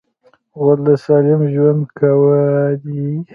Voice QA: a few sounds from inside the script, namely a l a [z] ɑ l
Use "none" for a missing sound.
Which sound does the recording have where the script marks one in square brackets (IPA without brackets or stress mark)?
s